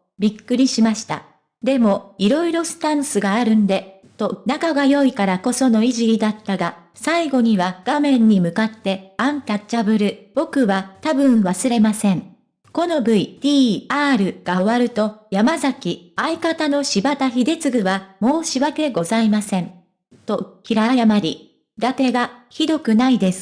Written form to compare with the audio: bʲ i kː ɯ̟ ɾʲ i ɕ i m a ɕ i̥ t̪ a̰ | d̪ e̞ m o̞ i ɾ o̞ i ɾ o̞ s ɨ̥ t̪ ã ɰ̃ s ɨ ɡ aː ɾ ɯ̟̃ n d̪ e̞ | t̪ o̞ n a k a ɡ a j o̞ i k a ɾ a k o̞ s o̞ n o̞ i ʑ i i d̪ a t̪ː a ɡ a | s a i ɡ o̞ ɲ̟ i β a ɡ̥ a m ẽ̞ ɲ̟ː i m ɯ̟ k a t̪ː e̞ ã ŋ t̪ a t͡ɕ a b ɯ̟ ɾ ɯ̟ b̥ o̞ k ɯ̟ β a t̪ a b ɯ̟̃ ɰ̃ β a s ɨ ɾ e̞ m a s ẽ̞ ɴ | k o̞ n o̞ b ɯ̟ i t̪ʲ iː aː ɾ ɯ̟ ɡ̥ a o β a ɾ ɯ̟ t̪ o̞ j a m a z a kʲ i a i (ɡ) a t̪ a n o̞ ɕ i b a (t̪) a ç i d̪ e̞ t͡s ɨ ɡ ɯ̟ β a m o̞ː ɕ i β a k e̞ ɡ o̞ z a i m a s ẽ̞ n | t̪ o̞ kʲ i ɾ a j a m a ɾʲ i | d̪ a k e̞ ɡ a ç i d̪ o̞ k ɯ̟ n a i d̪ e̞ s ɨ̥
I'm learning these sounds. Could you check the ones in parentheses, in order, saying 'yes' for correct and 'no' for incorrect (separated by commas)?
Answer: no, yes